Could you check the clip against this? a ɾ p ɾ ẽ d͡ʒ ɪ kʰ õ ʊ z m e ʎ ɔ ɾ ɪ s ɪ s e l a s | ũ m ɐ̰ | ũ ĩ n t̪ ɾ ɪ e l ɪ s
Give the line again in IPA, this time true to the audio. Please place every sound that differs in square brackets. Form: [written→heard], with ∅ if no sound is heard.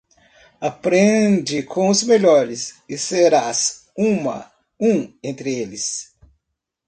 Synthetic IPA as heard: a [ɾ→∅] p ɾ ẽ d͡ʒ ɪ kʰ õ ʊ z m e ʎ ɔ ɾ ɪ s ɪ s e [l→ɾ] a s | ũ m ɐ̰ | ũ [ĩ→ẽ] n t̪ ɾ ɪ e l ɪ s